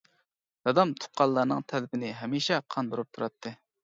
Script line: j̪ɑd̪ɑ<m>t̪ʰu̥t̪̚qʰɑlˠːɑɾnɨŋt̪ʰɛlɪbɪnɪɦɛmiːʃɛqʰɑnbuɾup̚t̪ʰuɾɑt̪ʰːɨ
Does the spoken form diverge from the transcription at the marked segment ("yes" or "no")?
no